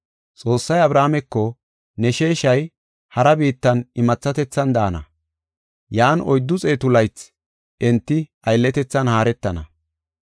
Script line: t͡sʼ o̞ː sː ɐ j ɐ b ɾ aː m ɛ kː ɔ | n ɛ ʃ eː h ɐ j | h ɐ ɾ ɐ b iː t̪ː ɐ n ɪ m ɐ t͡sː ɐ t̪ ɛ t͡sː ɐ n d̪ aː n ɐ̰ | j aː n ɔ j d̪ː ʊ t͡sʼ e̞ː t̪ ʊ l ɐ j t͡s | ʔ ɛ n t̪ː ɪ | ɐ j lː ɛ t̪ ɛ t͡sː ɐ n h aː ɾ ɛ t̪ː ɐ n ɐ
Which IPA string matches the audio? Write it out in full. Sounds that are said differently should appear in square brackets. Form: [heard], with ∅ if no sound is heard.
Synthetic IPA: t͡sʼ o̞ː sː ɐ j ɐ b ɾ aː m ɛ kː ɔ | n ɛ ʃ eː [ʃ] ɐ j | h ɐ ɾ ɐ b iː t̪ː ɐ n ɪ m ɐ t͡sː ɐ t̪ ɛ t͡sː ɐ n d̪ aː n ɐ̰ | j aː n ɔ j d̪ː ʊ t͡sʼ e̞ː t̪ ʊ l ɐ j t͡s | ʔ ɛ n t̪ː ɪ | ɐ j lː ɛ t̪ ɛ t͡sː ɐ n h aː ɾ ɛ t̪ː ɐ n ɐ

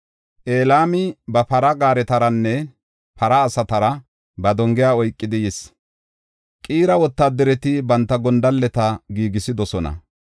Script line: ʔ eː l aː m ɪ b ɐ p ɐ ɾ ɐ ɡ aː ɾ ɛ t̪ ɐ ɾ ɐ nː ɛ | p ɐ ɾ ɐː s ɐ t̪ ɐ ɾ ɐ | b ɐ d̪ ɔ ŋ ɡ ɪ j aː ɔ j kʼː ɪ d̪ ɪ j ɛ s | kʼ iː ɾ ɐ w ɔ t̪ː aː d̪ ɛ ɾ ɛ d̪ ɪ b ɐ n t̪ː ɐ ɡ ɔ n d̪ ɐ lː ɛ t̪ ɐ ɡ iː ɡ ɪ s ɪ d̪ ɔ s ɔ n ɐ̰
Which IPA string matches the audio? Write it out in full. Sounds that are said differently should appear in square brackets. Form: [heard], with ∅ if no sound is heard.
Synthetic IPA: ʔ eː l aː m ɪ b ɐ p ɐ ɾ ɐ ɡ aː ɾ ɛ t̪ ɐ ɾ ɐ nː ɛ | p ɐ ɾ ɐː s ɐ t̪ ɐ ɾ ɐ | b ɐ d̪ ɔ ŋ ɡ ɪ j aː ɔ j kʼː ɪ d̪ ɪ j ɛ s | kʼ iː ɾ ɐ w ɔ t̪ː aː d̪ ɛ ɾ ɛ [t̪] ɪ b ɐ n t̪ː ɐ ɡ ɔ n d̪ ɐ lː ɛ t̪ ɐ ɡ iː ɡ ɪ s ɪ d̪ ɔ s ɔ n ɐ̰

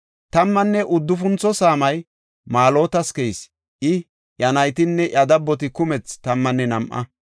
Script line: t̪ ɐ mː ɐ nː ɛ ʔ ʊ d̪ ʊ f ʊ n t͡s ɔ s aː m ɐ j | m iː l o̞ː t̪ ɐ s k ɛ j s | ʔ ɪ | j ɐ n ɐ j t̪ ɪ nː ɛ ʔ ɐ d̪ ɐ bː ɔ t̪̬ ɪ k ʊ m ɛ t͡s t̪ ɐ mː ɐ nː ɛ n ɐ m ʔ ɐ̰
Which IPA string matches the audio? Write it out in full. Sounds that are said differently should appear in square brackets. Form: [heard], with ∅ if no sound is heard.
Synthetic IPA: t̪ ɐ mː ɐ nː ɛ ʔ ʊ [d̪ː] ʊ f ʊ n t͡s ɔ s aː m ɐ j | m [aː] l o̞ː t̪ ɐ s k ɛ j s | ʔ ɪ | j ɐ n ɐ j t̪ ɪ nː ɛ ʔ ɐ d̪ ɐ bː ɔ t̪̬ ɪ k ʊ m ɛ t͡s t̪ ɐ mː ɐ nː ɛ n ɐ m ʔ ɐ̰

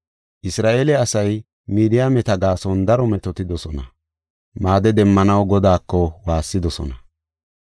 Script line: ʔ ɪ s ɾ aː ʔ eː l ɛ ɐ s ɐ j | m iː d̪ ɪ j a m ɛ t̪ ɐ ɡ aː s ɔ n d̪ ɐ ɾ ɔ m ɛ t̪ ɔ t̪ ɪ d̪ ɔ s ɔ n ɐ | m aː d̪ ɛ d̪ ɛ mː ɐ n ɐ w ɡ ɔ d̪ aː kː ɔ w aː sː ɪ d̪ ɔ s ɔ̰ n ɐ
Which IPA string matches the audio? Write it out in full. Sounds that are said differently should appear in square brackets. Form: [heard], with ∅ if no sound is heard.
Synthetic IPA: ʔ ɪ s ɾ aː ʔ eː l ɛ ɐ s ɐ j | m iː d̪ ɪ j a m ɛ t̪ ɐ ɡ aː s ɔ n d̪ ɐ ɾ ɔ m ɛ t̪ ɔ t̪ ɪ d̪ ɔ s ɔ n ɐ | m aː d̪ ɛ d̪ ɛ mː ɐ n ɐ w ɡ ɔ d̪ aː kː ɔ w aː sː ɪ d̪ ɔ s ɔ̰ n ɐ

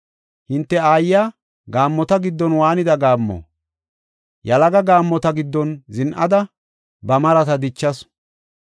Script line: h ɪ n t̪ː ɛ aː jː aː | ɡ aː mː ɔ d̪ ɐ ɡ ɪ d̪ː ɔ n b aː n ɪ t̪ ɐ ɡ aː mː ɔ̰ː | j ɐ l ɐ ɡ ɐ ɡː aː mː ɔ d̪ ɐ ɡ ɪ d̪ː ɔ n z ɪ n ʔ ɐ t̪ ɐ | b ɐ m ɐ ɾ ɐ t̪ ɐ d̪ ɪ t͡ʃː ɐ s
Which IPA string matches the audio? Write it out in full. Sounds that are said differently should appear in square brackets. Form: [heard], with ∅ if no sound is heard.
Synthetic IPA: h ɪ n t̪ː ɛ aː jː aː | ɡ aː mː ɔ [t̪] ɐ ɡ ɪ d̪ː ɔ n [w] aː n ɪ [d̪] ɐ ɡ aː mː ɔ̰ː | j ɐ l ɐ ɡ ɐ [ɡ] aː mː ɔ [t̪] ɐ ɡ ɪ d̪ː ɔ n z ɪ n ʔ ɐ [d̪] ɐ | b ɐ m ɐ ɾ ɐ t̪ ɐ d̪ ɪ t͡ʃː ɐ s

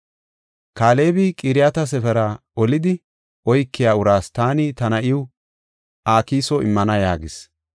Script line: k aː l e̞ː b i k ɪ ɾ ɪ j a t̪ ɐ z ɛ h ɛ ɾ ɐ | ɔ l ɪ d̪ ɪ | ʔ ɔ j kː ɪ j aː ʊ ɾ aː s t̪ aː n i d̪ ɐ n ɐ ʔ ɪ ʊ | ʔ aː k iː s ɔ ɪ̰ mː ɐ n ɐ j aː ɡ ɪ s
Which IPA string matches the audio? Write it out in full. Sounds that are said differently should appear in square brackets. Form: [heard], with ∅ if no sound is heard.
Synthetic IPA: k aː l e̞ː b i [kʼ] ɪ ɾ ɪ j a t̪ ɐ [s] ɛ [f] ɛ ɾ ɐ | ɔ l ɪ d̪ ɪ | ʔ ɔ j kː ɪ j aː ʊ ɾ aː s t̪ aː n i [t̪] ɐ n ɐ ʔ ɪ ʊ | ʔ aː k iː s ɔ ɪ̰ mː ɐ n ɐ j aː ɡ ɪ s

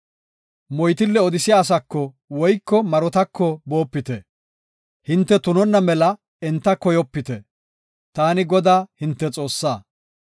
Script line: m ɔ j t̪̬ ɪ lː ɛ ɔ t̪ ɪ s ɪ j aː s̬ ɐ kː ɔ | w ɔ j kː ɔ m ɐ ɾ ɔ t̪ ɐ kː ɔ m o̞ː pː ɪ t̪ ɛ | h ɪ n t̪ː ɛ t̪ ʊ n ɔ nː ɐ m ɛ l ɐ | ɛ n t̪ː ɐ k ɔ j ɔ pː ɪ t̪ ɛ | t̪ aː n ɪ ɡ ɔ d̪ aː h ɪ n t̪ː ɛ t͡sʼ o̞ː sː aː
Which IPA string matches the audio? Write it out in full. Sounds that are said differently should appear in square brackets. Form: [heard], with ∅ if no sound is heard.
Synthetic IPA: m ɔ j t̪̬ ɪ lː ɛ ɔ [d̪] ɪ s ɪ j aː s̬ ɐ kː ɔ | w ɔ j kː ɔ m ɐ ɾ ɔ t̪ ɐ kː ɔ [b] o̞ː pː ɪ t̪ ɛ | h ɪ n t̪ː ɛ t̪ ʊ n ɔ nː ɐ m ɛ l ɐ | ɛ n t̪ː ɐ k ɔ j ɔ pː ɪ t̪ ɛ | t̪ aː n ɪ ɡ ɔ d̪ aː h ɪ n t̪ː ɛ t͡sʼ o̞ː sː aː

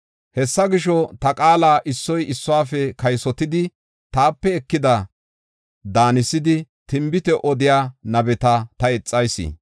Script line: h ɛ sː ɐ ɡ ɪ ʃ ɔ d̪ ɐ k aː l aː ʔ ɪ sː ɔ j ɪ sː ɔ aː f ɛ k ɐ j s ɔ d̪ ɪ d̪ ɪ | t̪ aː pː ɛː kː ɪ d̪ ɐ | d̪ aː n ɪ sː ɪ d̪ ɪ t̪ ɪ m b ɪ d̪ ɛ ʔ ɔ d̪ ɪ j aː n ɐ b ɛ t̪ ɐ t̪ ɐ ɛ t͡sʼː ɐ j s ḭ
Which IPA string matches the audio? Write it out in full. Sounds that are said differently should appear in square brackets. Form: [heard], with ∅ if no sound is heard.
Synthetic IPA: h ɛ sː ɐ ɡ ɪ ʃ ɔ [t̪] ɐ [kʼ] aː l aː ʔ ɪ sː ɔ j ɪ sː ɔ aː f ɛ k ɐ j s ɔ [t̪] ɪ d̪ ɪ | t̪ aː pː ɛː kː ɪ d̪ ɐ | d̪ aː n ɪ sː ɪ d̪ ɪ t̪ ɪ m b ɪ [t̪] ɛ ʔ ɔ d̪ ɪ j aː n ɐ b ɛ t̪ ɐ t̪ ɐ ɛ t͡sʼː ɐ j s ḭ

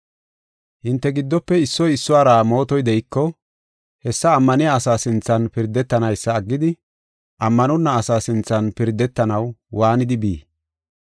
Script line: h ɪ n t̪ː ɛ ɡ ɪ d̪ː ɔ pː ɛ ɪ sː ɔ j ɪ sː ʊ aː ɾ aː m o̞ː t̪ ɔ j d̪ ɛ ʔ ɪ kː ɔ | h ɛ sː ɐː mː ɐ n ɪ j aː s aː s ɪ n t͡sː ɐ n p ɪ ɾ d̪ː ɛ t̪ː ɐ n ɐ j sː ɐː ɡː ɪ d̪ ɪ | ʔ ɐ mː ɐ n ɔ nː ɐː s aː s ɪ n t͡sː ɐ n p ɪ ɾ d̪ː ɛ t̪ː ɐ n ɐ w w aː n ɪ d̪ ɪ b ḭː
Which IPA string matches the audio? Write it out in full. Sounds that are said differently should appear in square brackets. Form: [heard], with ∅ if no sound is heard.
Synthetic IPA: h ɪ n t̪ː ɛ ɡ ɪ d̪ː ɔ pː ɛ ɪ sː ɔ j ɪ sː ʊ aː ɾ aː m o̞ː t̪ ɔ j d̪ ɛ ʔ ɪ kː ɔ | h ɛ sː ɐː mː ɐ n ɪ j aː s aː s ɪ n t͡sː ɐ n p ɪ ɾ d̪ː ɛ t̪ː ɐ n ɐ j sː ɐː ɡː ɪ d̪ ɪ | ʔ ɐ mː ɐ n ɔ nː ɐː s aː s ɪ n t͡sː ɐ n p ɪ ɾ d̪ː ɛ t̪ː ɐ n ɐ w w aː n ɪ d̪ ɪ b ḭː

